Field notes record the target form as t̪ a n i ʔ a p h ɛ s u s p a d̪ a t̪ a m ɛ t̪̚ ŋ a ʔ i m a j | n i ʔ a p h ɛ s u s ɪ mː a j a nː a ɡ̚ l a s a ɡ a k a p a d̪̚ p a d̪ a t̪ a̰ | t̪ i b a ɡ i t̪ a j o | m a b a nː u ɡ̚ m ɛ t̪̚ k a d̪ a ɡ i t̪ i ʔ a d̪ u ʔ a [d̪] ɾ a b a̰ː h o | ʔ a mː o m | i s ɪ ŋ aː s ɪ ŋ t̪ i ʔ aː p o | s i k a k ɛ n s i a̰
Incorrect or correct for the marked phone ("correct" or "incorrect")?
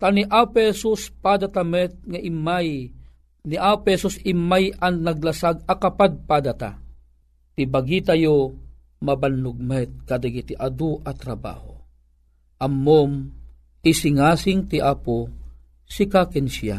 incorrect